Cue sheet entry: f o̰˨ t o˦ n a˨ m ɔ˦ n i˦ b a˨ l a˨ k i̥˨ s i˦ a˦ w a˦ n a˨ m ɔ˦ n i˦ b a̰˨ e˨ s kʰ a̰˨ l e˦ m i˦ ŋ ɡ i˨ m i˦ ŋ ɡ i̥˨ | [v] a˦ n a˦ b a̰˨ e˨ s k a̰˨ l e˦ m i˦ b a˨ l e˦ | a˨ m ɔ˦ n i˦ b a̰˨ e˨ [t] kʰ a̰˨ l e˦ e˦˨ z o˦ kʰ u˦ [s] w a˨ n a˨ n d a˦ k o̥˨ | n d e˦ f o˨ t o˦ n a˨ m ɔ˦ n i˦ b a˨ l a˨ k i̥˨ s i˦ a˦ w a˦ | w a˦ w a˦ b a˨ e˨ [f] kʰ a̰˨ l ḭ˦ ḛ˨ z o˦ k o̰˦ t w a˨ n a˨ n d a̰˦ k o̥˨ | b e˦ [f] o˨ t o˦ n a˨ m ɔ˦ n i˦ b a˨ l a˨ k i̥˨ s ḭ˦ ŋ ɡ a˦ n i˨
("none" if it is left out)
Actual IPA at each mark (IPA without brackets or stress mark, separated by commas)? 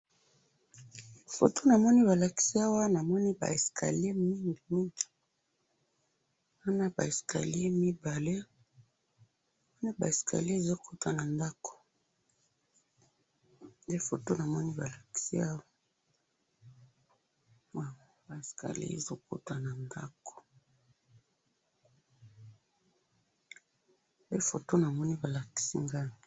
w, s, t, s, f